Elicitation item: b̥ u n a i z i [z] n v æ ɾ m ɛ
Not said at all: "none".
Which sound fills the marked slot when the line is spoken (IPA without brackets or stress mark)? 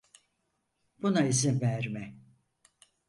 none